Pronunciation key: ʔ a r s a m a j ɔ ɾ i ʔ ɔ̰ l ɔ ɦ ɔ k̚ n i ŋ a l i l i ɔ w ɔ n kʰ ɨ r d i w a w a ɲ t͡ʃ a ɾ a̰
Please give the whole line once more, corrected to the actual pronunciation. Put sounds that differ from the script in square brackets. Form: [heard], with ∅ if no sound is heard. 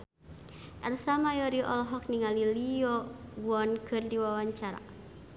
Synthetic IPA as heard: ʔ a r s a m a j ɔ ɾ i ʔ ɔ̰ l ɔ ɦ ɔ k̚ n i ŋ a l i l i ɔ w ɔ n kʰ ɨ r d i w a w a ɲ t͡ʃ a ɾ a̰